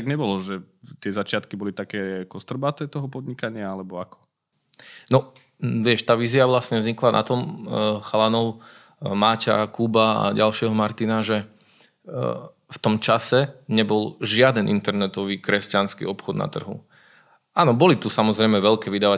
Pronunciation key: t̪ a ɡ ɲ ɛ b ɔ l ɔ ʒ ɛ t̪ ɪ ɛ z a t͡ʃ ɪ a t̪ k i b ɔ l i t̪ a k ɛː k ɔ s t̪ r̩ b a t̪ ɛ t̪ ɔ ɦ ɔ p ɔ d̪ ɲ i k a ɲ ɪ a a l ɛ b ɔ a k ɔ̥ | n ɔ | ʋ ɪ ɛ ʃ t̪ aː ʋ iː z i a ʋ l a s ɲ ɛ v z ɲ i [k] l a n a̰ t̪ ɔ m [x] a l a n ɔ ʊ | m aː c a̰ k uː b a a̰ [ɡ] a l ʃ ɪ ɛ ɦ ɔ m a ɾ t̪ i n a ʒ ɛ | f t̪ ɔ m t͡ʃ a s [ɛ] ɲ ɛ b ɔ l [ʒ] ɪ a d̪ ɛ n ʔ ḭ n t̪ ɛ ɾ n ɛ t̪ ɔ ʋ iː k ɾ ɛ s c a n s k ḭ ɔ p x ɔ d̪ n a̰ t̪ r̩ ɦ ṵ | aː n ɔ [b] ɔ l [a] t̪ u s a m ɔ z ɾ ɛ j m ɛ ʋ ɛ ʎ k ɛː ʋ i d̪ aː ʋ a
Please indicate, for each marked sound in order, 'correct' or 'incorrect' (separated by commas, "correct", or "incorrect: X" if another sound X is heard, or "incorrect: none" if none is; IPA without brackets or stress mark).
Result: correct, correct, incorrect: ɟ, correct, correct, correct, incorrect: i